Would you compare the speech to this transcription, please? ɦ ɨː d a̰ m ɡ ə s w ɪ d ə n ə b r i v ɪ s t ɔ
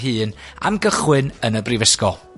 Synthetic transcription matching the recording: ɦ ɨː n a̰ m ɡ ə χ w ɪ n ə n ə b r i v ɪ s k ɔ